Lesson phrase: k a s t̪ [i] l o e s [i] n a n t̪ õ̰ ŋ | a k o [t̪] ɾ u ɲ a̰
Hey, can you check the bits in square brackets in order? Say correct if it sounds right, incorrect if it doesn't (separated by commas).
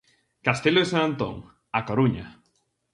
incorrect, incorrect, incorrect